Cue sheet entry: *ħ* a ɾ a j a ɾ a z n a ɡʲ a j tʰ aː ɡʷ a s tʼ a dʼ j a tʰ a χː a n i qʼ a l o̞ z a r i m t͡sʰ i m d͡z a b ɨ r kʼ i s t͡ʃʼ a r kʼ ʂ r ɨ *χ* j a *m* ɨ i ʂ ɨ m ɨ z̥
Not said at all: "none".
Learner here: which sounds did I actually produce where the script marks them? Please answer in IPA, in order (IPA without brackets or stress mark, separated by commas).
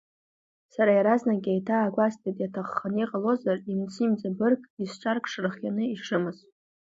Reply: s, χ, n